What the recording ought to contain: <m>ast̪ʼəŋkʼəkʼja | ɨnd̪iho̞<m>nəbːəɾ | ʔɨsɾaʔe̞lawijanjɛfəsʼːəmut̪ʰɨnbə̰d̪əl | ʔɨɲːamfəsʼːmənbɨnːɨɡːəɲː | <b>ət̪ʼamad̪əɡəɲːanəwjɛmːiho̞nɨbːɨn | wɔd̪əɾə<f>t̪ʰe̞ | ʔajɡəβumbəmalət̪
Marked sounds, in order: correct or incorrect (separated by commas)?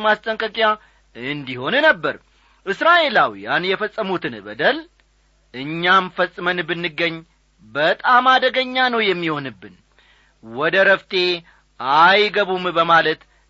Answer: correct, incorrect, correct, correct